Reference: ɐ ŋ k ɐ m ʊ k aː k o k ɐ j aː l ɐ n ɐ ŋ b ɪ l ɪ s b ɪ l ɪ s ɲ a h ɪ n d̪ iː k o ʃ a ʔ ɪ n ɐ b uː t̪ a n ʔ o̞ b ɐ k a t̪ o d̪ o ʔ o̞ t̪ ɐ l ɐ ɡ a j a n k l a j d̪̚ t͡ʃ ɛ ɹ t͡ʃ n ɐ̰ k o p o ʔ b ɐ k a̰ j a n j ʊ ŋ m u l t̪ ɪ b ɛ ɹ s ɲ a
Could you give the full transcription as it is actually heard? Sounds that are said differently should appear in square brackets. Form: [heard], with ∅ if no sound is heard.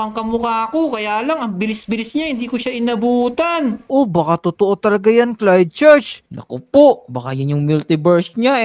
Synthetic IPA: ɐ ŋ k ɐ m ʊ k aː k o k ɐ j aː l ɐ [ŋ] ɐ ŋ b ɪ l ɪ s b ɪ l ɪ s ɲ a h ɪ n d̪ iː k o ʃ a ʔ ɪ n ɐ b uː t̪ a n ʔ o̞ b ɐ k a t̪ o [t̪] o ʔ o̞ t̪ ɐ l ɐ ɡ a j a n k l a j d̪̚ t͡ʃ ɛ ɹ t͡ʃ n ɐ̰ k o p o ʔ b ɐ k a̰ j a n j ʊ ŋ m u l t̪ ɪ b ɛ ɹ s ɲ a